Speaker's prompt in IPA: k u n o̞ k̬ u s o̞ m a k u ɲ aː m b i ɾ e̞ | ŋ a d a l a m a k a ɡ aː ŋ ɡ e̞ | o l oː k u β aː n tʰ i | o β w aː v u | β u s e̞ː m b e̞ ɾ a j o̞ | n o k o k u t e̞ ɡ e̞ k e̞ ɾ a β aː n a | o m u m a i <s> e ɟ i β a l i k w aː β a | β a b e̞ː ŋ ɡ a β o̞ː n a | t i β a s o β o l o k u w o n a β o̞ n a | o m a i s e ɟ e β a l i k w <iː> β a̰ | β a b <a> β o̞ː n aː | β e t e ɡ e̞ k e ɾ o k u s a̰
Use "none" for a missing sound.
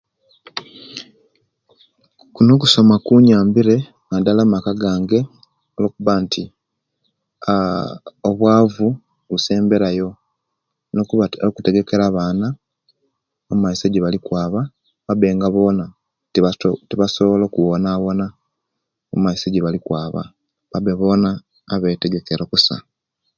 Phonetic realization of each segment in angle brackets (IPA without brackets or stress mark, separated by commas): s, aː, e